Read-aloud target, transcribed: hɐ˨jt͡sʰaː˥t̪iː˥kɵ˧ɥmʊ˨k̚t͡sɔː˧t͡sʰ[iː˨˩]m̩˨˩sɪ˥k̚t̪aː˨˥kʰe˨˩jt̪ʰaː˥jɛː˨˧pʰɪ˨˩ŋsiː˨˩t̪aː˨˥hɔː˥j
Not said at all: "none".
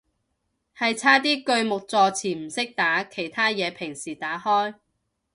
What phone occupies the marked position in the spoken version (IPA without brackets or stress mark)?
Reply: iː˨˩